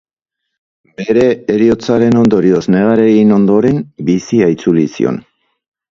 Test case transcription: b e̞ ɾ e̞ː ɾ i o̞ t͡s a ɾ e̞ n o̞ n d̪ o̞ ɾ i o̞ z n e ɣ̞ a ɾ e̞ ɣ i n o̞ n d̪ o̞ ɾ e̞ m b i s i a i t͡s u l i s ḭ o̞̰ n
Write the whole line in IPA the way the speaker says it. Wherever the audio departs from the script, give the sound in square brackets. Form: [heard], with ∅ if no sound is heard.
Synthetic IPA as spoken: b e̞ ɾ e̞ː ɾ i o̞ t͡s a ɾ e̞ n o̞ n d̪ o̞ ɾ i o̞ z n e ɣ̞ a ɾ e̞ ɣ i n o̞ n d̪ o̞ ɾ e̞ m b i s i a i t͡s u l i s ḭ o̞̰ n